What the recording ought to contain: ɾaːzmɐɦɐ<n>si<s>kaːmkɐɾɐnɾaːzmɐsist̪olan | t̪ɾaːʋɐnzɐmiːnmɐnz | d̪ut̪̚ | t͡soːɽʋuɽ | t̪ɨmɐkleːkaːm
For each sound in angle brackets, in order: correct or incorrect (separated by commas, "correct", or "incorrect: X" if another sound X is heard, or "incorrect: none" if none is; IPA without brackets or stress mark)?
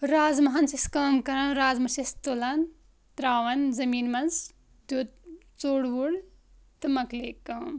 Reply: correct, correct